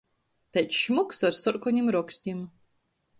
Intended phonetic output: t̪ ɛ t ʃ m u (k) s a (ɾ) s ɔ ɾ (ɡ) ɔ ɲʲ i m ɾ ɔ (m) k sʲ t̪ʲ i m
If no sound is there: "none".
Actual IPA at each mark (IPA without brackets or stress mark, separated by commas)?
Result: k, ɾ, k, none